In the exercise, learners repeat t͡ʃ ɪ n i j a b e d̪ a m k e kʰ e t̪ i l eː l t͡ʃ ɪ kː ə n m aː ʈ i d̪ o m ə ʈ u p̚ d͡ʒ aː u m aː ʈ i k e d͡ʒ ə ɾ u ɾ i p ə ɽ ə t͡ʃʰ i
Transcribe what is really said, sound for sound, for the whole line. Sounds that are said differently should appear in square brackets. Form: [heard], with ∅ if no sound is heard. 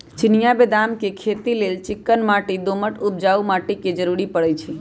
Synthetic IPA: t͡ʃ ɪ n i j a b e d̪ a m k e kʰ e t̪ i l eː l t͡ʃ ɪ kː ə n m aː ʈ i d̪ o m ə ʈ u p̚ d͡ʒ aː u m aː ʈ i k e d͡ʒ ə ɾ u ɾ i p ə ɽ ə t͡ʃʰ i